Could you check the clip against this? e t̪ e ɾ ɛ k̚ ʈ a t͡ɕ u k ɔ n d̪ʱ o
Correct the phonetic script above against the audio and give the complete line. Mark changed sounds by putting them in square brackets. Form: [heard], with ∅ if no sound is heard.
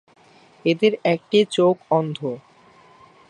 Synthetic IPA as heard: e [d̪] e ɾ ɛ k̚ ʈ [i] t͡ɕ [o] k ɔ n d̪ʱ o